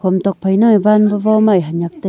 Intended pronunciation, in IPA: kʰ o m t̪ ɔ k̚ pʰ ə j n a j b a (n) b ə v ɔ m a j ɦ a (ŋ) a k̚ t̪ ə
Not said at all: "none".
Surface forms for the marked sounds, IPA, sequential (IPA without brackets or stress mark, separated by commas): n, ɲ